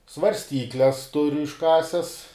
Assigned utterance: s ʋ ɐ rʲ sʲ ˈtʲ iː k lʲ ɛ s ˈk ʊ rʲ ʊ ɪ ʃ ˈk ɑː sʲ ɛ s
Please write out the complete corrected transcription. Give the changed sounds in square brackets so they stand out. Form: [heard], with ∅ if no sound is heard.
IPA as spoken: s ʋ ɐ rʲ sʲ ˈtʲ iː k lʲ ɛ s [ˈt] ʊ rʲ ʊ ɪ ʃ ˈk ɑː sʲ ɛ s